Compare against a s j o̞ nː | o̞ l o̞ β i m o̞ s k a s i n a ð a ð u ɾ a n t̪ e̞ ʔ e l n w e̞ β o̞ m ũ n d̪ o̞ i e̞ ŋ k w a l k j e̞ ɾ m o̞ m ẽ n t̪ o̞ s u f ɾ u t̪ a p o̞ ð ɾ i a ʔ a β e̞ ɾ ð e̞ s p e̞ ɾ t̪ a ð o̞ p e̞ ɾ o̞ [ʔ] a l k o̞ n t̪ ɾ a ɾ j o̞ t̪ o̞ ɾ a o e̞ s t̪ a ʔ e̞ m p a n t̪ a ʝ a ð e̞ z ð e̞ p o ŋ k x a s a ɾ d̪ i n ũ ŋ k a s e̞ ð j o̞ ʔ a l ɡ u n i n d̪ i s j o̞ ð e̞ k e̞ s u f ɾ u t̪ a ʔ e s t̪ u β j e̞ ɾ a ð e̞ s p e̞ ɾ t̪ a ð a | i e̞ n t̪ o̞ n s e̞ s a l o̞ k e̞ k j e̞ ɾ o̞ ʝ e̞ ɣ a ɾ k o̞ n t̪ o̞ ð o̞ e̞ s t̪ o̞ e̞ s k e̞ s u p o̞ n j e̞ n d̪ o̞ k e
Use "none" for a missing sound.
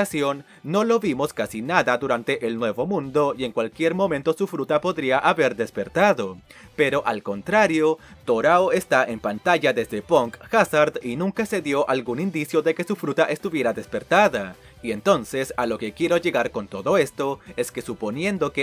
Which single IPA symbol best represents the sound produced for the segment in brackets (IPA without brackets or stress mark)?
ʔ